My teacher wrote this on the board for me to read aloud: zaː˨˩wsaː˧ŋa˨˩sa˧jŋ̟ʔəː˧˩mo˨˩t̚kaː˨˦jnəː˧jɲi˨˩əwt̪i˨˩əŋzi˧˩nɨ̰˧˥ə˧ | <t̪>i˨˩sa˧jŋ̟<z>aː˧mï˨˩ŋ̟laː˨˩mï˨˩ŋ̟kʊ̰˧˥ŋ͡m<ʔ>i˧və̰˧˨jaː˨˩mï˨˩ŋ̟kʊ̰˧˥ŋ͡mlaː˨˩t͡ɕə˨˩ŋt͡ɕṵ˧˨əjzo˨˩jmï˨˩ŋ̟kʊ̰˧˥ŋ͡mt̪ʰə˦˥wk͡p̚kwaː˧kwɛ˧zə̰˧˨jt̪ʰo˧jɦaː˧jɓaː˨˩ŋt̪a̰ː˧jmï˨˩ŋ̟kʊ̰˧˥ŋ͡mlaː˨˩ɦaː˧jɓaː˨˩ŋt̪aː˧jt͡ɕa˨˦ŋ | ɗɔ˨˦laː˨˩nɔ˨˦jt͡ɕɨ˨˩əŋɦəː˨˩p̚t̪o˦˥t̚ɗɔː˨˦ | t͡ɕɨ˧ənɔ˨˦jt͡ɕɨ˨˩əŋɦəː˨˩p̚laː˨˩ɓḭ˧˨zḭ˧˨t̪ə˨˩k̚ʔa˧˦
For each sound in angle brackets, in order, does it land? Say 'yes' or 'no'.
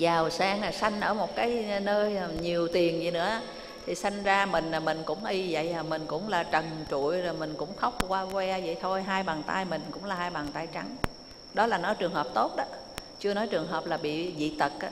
no, yes, yes

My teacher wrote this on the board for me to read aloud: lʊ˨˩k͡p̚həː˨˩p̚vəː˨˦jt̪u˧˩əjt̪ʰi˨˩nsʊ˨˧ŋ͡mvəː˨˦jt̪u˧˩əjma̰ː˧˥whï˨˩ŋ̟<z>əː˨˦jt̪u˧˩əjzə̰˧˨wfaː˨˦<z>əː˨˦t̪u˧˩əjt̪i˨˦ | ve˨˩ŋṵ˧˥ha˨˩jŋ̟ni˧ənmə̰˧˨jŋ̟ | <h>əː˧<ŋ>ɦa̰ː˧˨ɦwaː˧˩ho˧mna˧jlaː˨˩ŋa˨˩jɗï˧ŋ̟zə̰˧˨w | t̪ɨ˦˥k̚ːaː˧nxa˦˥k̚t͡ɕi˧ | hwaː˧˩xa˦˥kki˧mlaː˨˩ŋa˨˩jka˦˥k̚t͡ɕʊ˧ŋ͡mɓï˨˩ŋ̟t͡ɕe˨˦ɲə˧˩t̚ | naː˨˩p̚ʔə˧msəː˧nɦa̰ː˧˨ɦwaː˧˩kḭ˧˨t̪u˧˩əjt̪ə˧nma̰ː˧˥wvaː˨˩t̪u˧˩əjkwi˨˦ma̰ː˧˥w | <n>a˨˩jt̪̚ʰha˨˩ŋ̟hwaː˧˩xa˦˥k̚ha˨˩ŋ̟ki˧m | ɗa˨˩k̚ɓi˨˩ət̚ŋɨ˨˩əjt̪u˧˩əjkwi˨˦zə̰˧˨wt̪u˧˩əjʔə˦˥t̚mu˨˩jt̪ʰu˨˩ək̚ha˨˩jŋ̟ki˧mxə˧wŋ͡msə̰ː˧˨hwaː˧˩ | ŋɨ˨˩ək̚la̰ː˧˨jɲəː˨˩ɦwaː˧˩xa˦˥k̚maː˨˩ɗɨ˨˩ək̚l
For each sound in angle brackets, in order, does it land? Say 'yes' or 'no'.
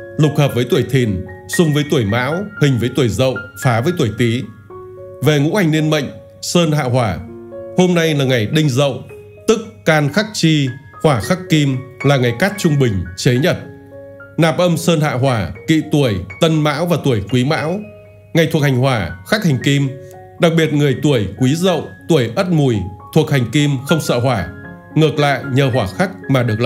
no, no, no, no, no

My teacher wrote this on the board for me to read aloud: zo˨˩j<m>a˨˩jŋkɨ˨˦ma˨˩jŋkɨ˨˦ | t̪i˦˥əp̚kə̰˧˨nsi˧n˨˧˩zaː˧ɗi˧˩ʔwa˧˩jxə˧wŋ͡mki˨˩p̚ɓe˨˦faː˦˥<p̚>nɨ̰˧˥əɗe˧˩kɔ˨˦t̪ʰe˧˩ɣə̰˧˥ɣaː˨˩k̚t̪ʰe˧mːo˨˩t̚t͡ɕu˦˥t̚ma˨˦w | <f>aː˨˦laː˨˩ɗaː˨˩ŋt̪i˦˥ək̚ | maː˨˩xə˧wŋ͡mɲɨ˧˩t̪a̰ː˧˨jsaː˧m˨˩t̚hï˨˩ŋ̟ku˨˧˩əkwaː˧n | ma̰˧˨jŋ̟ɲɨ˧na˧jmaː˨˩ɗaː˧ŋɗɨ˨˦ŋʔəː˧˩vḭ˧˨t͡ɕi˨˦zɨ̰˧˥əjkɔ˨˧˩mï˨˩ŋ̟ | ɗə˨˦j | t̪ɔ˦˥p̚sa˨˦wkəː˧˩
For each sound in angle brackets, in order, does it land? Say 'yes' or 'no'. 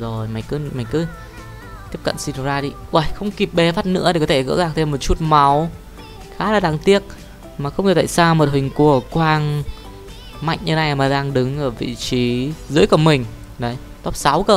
yes, no, no

